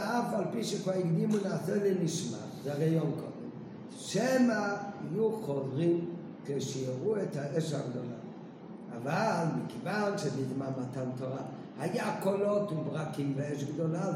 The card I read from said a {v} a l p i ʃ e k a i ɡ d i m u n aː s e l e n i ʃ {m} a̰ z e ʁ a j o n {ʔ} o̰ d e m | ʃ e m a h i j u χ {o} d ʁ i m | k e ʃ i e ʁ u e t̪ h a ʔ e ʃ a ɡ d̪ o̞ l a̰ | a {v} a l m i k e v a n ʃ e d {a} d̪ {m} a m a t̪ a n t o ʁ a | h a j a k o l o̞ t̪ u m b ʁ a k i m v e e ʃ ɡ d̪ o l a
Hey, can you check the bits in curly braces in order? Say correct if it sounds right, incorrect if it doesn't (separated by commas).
incorrect, correct, incorrect, correct, correct, incorrect, correct